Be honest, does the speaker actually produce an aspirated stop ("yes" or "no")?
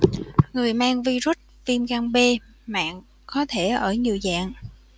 yes